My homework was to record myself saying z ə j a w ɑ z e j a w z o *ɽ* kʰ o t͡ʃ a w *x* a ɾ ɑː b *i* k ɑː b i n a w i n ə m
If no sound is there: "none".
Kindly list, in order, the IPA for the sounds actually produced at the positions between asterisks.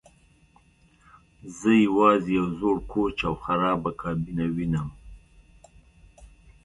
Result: ɽ, x, a

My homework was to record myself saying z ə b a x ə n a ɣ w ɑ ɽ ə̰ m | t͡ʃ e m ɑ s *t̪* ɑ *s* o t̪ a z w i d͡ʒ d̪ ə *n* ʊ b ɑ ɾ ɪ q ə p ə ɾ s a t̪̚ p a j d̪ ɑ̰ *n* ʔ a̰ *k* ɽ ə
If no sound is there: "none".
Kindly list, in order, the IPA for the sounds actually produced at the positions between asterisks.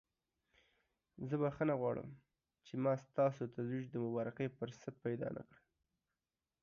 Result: t̪, s, m, n, k

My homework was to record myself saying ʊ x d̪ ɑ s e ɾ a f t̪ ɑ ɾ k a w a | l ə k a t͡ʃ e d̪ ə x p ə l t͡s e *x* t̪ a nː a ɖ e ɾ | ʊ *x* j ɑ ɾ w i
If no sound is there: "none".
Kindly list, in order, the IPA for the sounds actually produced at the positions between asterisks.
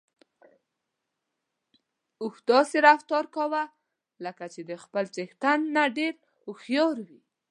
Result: x, x

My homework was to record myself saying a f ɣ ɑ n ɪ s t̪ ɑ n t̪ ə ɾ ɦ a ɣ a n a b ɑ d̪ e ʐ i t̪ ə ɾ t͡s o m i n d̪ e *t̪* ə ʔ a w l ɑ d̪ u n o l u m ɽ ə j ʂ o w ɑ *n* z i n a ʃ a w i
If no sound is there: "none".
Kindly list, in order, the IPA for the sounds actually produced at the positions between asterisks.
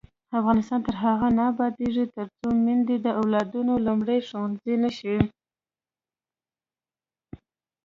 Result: d̪, n

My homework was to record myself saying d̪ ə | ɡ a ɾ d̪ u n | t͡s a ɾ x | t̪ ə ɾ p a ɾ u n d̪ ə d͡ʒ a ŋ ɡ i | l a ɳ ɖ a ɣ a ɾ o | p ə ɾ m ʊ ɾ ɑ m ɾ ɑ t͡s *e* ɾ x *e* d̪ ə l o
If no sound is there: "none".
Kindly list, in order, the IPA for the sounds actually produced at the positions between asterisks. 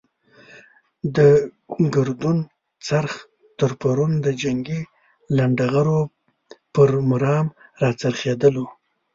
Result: a, e

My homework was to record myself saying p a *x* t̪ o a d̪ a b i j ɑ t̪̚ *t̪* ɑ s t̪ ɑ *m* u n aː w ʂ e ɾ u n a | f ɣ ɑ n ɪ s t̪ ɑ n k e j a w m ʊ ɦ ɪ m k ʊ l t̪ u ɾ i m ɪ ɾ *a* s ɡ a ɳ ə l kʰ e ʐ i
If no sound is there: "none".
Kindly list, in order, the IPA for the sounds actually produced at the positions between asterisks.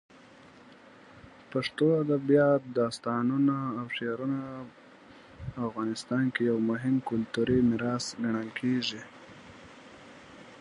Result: ʂ, d̪, n, ɑ

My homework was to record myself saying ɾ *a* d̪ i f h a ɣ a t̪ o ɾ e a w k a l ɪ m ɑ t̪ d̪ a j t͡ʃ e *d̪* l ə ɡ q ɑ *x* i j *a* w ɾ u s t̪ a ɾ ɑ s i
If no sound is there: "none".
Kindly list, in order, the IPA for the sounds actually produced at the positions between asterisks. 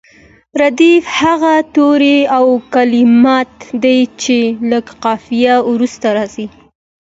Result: a, none, f, a

